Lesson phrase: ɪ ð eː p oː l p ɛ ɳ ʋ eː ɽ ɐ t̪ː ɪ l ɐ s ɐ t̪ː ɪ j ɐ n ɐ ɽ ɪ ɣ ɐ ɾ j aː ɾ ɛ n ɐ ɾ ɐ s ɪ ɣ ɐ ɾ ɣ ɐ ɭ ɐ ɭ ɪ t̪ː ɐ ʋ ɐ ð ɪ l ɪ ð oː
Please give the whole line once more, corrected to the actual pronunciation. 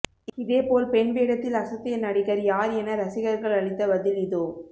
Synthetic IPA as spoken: ɪ ð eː p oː l p ɛ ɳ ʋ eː ɽ ɐ t̪ː ɪ l ɐ s ɐ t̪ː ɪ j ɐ n ɐ ɽ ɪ ɣ ɐ ɾ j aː ɾ ɛ n ɐ ɾ ɐ s ɪ ɣ ɐ ɾ ɣ ɐ ɭ ɐ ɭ ɪ t̪ː ɐ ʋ ɐ ð ɪ l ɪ ð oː